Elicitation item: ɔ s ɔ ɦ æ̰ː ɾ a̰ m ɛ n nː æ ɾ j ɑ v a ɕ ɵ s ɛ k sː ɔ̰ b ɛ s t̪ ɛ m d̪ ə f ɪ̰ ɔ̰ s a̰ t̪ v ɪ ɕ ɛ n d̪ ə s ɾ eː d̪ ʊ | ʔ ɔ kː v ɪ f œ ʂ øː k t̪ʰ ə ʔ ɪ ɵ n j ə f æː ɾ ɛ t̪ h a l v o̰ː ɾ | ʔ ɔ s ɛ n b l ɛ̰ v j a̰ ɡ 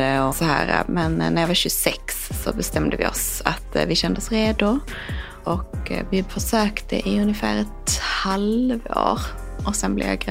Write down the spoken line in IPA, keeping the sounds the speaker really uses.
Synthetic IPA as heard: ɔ s ɔ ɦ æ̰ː ɾ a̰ m ɛ n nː æ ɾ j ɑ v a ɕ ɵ s ɛ k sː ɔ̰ b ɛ s t̪ ɛ m d̪ ə v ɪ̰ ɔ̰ s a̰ t̪ v ɪ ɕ ɛ n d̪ ə s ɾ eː d̪ ʊ | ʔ ɔ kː v ɪ f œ ʂ øː k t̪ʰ ə ʔ ɪ ɵ n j ə f æː ɾ ɛ t̪ h a l v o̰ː ɾ | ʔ ɔ s ɛ n b l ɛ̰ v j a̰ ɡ